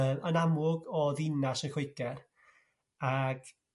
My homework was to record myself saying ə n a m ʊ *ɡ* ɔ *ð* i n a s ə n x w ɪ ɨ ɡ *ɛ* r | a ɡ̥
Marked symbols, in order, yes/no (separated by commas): yes, yes, yes